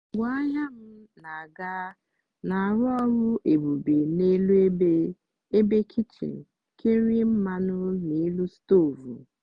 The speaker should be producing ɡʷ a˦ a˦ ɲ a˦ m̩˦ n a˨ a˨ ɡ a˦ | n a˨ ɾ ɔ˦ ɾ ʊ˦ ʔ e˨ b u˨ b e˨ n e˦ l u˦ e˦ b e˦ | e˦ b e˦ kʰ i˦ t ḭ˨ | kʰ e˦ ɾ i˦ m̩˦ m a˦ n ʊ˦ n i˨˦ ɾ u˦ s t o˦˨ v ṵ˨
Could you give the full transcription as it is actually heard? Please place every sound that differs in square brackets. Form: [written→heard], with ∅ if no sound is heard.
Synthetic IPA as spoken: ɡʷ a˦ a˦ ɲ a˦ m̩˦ n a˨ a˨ ɡ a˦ | n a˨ ɾ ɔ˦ ɾ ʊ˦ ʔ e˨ b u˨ b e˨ n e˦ l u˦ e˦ b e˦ | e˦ b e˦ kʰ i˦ [t→t͡ʃ] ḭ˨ | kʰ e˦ ɾ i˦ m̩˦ m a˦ n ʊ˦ n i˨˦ [ɾ→l] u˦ s t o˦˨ v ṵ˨